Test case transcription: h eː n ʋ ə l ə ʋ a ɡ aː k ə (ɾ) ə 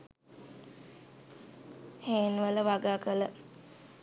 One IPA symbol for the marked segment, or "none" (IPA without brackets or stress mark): l